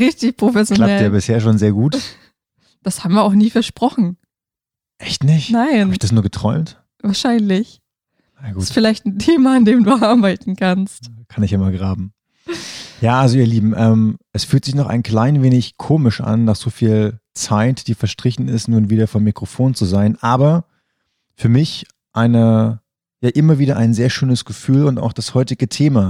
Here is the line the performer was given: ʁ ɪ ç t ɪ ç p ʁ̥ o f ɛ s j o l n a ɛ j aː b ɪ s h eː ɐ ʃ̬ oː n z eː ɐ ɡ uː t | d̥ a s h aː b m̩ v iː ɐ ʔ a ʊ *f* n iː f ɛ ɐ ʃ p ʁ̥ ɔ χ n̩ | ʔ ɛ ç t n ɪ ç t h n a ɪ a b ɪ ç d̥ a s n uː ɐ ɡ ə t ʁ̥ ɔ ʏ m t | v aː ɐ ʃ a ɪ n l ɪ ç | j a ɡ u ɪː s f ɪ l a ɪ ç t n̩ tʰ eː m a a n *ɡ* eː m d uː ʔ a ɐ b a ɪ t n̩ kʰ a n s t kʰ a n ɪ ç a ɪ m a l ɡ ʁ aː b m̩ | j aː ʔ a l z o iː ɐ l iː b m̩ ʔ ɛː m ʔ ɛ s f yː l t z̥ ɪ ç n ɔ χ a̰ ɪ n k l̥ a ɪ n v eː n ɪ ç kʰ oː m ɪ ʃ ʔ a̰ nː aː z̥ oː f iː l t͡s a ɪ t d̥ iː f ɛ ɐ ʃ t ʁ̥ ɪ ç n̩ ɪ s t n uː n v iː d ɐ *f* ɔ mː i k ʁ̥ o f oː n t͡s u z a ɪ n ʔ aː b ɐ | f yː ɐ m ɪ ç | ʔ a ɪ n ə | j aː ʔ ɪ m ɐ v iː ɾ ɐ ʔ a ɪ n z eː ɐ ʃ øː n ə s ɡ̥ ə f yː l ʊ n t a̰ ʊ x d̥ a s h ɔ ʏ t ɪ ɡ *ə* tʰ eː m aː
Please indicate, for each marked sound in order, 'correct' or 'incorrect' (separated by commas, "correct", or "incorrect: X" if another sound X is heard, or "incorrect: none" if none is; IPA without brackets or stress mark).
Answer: incorrect: x, incorrect: d, correct, correct